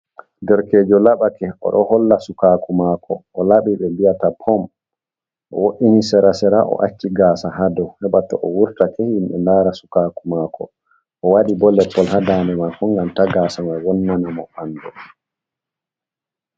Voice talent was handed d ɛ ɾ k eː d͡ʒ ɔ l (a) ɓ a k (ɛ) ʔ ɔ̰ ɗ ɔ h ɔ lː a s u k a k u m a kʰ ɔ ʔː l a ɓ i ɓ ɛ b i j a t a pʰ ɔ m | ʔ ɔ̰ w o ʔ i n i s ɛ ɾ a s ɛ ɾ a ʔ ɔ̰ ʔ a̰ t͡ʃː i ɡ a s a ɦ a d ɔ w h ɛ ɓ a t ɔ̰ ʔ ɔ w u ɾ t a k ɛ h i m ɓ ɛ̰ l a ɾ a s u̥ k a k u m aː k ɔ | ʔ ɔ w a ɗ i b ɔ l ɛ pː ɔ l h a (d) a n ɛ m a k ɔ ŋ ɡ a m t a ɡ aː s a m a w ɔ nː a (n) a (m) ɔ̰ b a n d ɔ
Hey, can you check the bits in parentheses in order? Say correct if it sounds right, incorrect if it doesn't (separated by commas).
correct, correct, correct, correct, correct